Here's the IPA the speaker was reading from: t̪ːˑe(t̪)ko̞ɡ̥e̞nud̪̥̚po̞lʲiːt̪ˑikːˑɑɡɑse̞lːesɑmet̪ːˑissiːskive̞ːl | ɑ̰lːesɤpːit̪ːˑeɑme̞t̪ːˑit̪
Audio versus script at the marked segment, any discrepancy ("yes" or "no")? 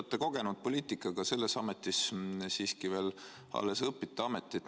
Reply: yes